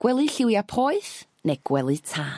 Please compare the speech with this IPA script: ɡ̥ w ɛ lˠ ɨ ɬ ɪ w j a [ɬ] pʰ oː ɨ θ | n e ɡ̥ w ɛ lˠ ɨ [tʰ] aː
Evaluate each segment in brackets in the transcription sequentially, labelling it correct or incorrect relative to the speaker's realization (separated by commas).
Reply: incorrect, correct